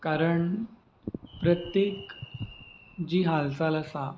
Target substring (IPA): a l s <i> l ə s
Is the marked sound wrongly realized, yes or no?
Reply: yes